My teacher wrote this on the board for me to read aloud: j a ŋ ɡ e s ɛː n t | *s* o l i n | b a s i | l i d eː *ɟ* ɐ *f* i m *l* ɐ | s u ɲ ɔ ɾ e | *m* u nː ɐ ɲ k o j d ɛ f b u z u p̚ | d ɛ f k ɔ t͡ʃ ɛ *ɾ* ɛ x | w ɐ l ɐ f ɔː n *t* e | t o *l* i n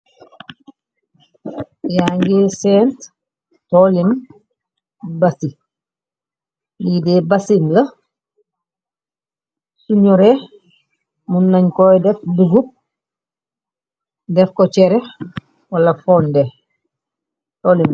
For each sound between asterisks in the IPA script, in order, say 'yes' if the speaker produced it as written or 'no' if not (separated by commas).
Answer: no, no, no, yes, yes, yes, no, yes